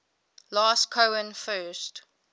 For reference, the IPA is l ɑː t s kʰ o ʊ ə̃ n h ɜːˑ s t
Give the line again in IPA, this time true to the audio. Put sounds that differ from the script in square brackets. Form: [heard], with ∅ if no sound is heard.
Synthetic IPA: l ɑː [∅] s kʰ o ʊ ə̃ n [f] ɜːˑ s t